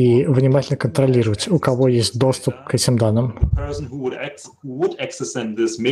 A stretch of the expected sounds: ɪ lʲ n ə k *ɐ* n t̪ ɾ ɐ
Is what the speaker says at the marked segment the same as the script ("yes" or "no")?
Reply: no